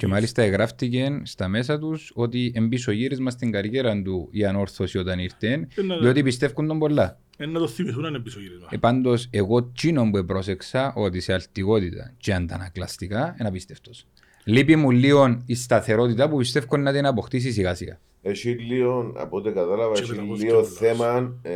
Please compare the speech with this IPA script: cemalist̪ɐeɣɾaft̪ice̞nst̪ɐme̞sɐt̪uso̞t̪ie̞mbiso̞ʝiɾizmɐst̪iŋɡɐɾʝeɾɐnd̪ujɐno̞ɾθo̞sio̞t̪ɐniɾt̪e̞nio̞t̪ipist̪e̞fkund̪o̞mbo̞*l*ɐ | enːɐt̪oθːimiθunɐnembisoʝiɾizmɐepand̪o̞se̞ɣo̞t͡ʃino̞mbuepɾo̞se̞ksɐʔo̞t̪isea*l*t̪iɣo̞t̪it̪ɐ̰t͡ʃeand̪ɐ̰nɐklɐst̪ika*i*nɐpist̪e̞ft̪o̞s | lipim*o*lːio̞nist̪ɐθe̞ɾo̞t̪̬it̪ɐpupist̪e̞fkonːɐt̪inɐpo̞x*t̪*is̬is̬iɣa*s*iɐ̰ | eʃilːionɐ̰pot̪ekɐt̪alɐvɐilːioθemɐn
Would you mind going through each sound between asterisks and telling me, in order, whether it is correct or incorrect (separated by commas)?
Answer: incorrect, correct, incorrect, incorrect, correct, correct